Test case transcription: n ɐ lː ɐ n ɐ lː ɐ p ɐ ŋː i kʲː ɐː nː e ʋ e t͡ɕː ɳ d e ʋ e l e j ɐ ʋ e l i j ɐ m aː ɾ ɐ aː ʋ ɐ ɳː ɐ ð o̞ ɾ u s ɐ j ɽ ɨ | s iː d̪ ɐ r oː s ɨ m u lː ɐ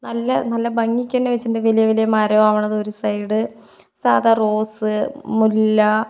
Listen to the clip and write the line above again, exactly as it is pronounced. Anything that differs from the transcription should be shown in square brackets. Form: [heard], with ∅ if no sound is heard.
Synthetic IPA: n ɐ lː ɐ n ɐ lː ɐ [b] ɐ ŋː i kʲː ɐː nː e ʋ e t͡ɕː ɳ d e ʋ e l [i] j ɐ ʋ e l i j ɐ m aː ɾ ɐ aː ʋ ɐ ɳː ɐ ð o̞ ɾ u s ɐ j ɽ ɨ | s [aː] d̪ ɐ r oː s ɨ m u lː ɐ